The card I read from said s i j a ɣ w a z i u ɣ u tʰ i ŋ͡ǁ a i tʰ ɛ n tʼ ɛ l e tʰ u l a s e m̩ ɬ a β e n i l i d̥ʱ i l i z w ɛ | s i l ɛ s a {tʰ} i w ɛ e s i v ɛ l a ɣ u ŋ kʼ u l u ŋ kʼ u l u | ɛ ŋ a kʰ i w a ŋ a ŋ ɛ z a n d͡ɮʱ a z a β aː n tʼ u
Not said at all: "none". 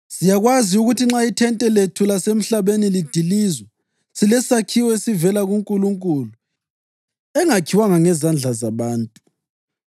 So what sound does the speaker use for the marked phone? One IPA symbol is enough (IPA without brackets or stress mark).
kʰ